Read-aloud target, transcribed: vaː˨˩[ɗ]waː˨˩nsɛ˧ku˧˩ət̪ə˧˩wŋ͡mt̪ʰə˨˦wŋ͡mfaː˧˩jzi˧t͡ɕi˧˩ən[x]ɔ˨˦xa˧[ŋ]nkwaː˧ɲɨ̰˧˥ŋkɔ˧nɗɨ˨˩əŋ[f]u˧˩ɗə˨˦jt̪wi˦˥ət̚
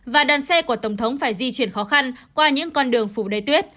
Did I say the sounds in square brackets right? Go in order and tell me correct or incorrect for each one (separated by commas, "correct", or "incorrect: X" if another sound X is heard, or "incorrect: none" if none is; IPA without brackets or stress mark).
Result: correct, correct, incorrect: none, correct